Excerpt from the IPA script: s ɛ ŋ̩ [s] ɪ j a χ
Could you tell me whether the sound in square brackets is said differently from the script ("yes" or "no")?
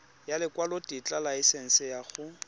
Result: no